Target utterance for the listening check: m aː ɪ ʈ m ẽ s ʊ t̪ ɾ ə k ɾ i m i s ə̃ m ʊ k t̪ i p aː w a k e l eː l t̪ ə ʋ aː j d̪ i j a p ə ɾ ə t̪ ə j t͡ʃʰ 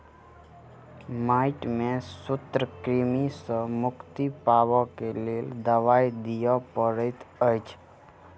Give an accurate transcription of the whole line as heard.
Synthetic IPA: m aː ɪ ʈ m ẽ s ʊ t̪ ɾ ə k ɾ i m i s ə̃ m ʊ k t̪ i p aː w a k e l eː l d̪ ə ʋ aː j d̪ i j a p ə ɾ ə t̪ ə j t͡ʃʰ